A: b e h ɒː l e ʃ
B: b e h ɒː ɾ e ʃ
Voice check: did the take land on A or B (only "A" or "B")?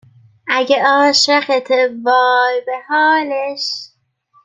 A